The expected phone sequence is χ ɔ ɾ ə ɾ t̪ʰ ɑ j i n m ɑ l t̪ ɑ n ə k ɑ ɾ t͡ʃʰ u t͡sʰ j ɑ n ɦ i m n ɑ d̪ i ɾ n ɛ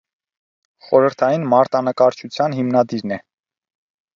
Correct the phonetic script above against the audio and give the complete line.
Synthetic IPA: χ ɔ ɾ ə ɾ t̪ʰ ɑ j i n m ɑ ɾ t̪ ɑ n ə k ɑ ɾ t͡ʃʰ u t͡sʰ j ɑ n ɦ i m n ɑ d̪ i ɾ n ɛ